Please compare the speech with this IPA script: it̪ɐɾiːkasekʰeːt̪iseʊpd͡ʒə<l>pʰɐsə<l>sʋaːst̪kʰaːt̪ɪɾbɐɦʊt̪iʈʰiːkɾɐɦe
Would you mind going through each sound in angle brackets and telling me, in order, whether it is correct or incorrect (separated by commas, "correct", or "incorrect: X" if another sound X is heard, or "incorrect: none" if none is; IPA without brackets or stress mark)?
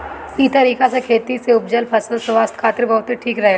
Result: correct, correct